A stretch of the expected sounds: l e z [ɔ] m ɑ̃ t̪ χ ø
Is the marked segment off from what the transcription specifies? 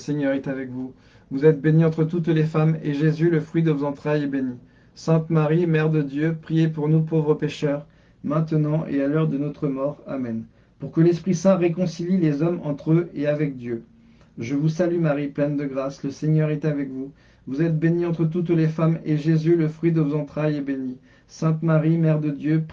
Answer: no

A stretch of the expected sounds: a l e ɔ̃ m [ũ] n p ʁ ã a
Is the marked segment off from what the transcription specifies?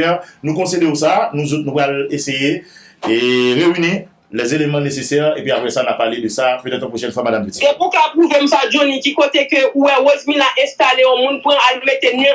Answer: no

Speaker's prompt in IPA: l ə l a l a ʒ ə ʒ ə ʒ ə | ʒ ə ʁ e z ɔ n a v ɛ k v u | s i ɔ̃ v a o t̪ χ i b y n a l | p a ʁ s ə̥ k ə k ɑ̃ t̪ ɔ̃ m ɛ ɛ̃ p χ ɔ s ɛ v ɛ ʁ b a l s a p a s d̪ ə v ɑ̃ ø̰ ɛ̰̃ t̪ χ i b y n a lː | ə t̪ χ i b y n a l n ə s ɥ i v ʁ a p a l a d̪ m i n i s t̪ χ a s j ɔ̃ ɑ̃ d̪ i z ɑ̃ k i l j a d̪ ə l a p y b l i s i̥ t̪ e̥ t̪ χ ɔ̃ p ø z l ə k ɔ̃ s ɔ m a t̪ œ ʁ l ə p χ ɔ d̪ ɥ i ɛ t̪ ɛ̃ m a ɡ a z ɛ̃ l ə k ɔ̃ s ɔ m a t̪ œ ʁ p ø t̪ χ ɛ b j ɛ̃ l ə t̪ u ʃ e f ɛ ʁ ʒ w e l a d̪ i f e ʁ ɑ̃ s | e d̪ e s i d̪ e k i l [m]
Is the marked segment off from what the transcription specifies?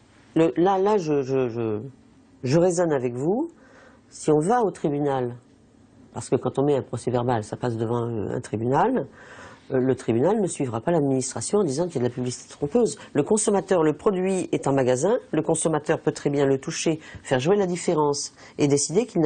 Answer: yes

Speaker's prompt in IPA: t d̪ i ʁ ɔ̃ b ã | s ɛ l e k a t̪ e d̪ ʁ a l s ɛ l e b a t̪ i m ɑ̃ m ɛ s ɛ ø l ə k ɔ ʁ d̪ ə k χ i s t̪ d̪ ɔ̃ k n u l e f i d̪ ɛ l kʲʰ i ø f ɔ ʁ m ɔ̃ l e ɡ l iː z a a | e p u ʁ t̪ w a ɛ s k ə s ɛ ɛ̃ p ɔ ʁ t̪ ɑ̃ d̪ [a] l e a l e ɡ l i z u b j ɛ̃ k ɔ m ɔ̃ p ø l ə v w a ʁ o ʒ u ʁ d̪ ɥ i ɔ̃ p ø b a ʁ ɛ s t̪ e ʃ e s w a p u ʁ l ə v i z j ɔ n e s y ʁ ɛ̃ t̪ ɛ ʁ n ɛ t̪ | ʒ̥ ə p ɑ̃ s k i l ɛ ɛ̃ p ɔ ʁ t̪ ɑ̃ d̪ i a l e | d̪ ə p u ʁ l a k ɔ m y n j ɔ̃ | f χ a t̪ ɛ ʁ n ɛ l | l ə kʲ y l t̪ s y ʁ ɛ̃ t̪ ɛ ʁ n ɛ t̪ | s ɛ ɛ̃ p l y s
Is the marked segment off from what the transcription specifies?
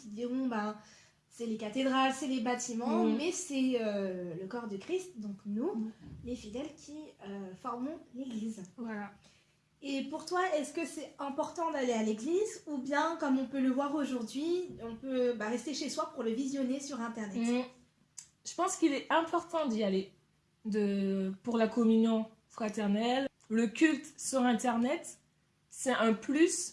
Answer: no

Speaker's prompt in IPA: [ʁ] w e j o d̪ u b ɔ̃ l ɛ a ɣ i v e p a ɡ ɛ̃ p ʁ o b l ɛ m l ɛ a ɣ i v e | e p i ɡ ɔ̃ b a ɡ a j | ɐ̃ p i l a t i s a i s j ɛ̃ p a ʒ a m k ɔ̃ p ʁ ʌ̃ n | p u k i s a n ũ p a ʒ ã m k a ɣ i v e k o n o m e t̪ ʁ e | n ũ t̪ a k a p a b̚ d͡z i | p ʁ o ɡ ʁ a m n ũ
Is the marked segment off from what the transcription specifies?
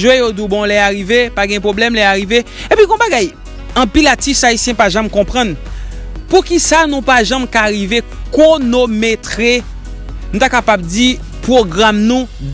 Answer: yes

